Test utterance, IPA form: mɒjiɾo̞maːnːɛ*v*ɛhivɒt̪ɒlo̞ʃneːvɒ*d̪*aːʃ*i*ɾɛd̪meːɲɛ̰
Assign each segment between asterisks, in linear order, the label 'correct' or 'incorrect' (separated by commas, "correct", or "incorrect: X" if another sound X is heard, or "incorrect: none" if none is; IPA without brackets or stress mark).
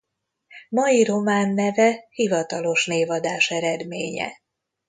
correct, correct, incorrect: ɛ